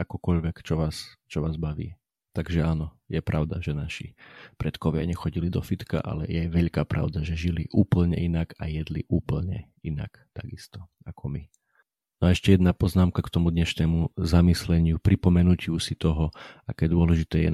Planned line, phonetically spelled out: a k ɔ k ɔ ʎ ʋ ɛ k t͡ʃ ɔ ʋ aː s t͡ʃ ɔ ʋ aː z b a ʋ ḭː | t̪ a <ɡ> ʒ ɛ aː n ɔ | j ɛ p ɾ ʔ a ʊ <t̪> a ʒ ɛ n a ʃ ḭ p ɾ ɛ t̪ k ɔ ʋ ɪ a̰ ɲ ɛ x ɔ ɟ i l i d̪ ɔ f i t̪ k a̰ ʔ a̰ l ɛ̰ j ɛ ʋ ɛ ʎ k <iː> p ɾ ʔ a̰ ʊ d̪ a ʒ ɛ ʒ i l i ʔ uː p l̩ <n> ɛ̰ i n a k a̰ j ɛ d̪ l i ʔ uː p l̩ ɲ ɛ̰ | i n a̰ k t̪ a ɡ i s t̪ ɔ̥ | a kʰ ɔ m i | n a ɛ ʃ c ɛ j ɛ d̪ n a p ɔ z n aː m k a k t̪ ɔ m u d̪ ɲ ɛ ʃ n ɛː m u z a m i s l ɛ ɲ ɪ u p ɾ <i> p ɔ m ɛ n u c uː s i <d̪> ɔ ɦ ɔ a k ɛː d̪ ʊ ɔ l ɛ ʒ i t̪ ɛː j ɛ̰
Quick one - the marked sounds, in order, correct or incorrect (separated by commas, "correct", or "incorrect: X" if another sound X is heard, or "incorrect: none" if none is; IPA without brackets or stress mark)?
correct, incorrect: d̪, incorrect: aː, incorrect: ɲ, correct, incorrect: t̪